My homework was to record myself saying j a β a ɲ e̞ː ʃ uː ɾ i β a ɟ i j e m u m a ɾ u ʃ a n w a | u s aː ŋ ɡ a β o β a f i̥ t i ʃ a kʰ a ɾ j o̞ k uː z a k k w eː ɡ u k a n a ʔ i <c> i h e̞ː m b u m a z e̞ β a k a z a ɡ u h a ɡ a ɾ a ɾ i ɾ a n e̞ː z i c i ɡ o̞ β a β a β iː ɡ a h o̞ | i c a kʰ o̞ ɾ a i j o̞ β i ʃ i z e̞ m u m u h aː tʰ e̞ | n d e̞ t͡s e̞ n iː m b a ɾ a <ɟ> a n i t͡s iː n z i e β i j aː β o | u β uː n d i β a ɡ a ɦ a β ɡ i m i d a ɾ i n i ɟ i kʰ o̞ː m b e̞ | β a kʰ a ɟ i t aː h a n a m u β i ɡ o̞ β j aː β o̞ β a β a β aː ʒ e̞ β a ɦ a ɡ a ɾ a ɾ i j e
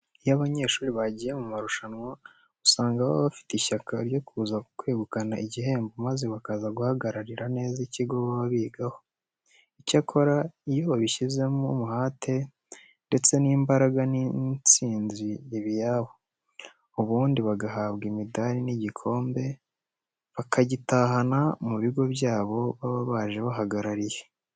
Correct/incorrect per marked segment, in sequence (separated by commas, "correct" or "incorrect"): incorrect, incorrect